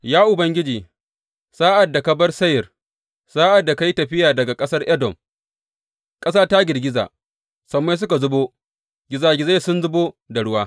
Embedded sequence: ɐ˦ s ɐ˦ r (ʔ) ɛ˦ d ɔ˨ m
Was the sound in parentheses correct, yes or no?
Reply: yes